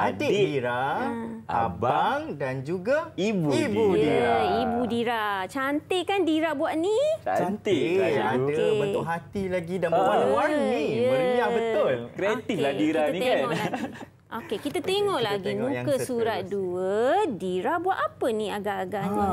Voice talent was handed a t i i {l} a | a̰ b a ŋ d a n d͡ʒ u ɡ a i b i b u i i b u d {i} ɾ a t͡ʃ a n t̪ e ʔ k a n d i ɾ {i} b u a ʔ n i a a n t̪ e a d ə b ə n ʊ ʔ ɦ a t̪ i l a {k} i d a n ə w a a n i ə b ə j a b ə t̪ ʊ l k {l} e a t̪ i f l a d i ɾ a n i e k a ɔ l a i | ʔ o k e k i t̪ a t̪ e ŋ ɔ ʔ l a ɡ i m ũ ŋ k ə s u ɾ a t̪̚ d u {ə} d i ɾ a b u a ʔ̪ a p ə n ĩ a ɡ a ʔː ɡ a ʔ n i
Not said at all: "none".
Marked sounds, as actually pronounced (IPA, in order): ɾ, i, a, ɡ, ɾ, ə

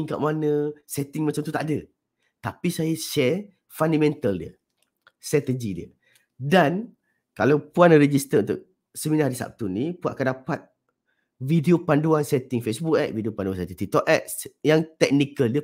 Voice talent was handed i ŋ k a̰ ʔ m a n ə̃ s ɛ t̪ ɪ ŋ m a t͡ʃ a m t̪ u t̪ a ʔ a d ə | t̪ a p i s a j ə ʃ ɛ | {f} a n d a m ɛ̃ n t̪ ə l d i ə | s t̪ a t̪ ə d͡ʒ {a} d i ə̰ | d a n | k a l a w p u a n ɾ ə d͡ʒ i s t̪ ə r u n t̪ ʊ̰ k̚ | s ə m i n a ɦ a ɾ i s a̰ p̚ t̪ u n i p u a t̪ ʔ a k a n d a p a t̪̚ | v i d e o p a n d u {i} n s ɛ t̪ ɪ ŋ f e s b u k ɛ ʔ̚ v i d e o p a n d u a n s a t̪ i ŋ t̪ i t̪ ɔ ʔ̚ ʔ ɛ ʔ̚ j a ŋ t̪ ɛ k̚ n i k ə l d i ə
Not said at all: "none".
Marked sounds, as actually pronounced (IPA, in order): f, i, a

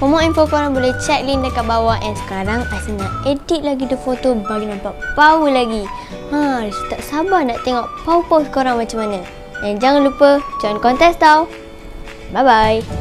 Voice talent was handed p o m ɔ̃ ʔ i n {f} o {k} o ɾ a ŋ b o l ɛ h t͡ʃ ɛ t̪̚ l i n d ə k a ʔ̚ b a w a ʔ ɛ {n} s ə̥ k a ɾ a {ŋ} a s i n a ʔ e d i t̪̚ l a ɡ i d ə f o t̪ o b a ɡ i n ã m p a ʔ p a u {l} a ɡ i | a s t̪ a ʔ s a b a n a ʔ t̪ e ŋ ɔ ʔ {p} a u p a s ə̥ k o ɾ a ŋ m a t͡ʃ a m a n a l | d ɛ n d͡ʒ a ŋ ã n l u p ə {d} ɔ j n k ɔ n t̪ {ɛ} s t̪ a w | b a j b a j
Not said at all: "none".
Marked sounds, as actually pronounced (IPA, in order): f, k, n, ŋ, l, p, d͡ʒ, ɛ

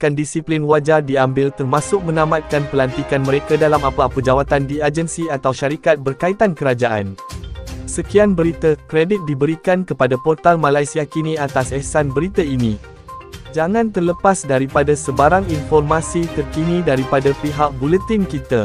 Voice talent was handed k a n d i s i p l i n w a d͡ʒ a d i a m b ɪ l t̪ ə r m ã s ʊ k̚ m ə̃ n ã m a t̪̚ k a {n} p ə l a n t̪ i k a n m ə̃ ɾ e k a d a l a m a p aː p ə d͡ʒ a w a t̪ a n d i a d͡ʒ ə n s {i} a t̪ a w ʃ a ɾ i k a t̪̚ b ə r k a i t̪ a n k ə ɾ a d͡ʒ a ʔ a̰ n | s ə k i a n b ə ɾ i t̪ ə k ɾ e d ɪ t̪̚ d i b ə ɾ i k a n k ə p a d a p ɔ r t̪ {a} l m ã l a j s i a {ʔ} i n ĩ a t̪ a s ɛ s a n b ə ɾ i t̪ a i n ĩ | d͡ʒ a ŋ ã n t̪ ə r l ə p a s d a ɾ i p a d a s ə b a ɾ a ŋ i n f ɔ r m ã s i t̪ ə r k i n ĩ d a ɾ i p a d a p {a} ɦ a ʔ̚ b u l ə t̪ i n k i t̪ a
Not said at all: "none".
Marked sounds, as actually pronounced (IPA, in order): n, i, a, k, i

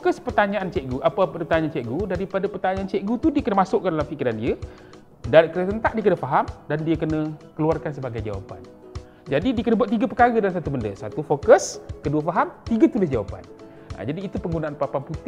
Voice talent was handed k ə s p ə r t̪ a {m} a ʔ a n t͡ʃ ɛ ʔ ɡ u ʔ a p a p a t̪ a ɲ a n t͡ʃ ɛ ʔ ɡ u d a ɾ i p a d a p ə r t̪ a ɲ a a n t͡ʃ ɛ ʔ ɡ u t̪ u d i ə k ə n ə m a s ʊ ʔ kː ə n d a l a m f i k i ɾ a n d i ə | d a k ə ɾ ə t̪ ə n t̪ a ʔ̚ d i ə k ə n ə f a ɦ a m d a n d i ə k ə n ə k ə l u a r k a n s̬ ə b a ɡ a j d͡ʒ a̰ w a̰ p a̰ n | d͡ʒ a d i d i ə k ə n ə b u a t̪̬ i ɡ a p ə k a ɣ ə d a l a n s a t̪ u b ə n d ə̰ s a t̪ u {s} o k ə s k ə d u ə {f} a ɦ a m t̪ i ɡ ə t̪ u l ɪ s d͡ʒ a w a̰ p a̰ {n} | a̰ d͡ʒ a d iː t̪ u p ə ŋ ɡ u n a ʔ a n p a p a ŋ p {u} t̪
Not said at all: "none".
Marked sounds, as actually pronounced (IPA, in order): ɲ, f, f, n, u

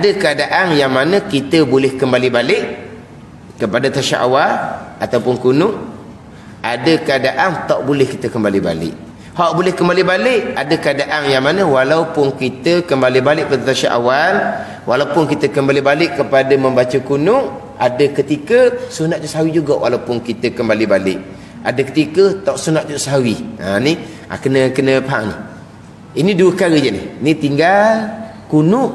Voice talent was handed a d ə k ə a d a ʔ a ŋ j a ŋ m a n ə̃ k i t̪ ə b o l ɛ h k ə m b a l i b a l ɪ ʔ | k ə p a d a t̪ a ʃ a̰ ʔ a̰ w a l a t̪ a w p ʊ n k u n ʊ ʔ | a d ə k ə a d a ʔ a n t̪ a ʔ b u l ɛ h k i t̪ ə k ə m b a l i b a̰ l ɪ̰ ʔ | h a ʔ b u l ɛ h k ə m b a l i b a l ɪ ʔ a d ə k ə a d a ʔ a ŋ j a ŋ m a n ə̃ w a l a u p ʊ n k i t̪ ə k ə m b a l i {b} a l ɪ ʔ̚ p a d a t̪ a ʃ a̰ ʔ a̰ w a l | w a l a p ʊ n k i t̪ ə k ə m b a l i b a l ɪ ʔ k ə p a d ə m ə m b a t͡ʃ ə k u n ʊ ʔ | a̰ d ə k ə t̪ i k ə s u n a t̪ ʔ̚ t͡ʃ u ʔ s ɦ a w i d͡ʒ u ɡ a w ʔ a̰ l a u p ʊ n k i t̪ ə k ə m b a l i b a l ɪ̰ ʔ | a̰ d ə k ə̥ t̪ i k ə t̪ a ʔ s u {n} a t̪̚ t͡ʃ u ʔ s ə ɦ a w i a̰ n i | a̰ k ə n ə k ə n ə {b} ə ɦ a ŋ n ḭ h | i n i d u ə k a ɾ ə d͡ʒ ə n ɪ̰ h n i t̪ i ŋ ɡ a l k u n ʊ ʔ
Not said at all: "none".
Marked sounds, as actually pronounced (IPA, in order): b, n, p

